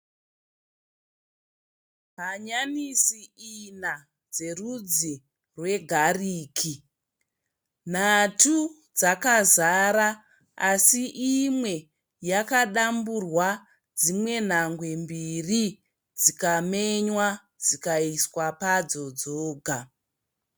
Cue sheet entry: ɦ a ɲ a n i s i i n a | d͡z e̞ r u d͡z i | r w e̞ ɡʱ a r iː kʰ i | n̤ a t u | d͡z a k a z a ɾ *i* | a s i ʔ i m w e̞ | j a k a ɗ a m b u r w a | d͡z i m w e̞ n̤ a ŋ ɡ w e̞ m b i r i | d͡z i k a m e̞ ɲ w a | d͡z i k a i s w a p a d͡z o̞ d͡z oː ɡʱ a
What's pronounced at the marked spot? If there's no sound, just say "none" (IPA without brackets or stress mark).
a